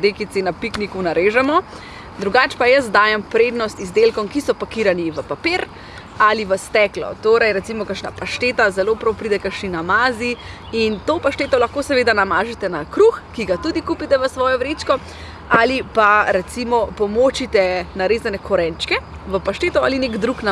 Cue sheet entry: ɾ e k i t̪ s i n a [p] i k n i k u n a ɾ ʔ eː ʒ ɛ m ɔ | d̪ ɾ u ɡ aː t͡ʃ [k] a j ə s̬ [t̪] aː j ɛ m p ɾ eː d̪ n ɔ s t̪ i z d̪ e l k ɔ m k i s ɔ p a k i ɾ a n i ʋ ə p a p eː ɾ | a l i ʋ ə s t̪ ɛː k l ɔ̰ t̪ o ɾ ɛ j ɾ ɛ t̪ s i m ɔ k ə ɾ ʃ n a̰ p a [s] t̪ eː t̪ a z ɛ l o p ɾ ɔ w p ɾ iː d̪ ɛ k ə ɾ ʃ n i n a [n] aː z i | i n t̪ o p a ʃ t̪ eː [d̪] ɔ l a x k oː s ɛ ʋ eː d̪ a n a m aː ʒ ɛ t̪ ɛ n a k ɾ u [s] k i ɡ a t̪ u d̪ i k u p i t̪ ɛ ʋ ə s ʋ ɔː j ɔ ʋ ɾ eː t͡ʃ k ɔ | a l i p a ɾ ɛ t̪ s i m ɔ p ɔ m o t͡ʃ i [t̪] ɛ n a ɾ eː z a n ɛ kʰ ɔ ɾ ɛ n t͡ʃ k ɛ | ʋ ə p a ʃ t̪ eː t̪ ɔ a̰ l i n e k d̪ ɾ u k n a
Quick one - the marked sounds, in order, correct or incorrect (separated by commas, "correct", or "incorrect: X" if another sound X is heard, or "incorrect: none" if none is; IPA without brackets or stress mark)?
correct, incorrect: p, incorrect: d̪, incorrect: ʃ, incorrect: m, incorrect: t̪, incorrect: x, correct